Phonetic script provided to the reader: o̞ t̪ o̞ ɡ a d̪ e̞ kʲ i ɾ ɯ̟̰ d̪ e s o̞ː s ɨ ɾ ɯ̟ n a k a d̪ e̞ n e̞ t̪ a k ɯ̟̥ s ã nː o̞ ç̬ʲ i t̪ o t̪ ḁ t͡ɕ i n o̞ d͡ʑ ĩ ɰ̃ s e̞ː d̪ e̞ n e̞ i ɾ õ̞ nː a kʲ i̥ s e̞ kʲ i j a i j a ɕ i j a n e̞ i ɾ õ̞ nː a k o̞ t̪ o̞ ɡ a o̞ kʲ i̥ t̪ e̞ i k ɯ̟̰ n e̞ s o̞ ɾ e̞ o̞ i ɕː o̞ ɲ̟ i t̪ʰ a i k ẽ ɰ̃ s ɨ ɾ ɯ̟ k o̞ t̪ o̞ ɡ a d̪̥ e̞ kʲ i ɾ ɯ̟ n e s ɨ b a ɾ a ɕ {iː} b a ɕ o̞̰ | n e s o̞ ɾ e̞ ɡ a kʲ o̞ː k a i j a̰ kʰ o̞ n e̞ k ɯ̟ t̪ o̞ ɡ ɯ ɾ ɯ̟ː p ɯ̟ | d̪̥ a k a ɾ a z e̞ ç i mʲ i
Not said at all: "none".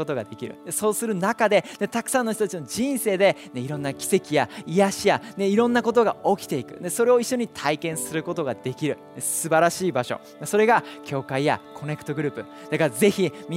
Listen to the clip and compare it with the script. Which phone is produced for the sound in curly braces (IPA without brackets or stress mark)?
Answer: iː